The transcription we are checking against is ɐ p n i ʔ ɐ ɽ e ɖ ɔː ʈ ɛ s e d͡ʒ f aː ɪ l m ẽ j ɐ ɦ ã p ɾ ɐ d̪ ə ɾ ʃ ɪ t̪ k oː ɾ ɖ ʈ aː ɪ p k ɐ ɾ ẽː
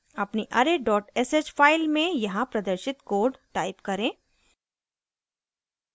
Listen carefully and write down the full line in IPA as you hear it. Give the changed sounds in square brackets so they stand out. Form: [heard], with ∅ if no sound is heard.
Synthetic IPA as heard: ɐ p n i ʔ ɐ [ɾ] e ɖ ɔː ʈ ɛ s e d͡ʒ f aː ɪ l m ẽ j ɐ ɦ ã p ɾ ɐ d̪ ə ɾ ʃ ɪ t̪ k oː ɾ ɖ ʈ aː ɪ p k ɐ ɾ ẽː